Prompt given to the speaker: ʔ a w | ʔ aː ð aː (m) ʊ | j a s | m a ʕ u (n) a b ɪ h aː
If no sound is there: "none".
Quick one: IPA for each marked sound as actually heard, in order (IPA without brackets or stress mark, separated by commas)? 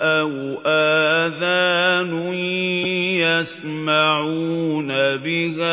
n, n